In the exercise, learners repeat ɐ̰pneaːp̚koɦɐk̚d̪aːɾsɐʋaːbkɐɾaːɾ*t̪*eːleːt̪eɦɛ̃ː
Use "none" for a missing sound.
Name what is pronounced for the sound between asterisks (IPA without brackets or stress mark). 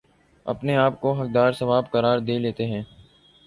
d̪